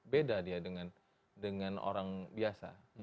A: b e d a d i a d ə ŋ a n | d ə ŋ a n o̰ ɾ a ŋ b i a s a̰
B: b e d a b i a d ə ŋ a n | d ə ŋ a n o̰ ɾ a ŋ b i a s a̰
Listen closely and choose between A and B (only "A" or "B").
A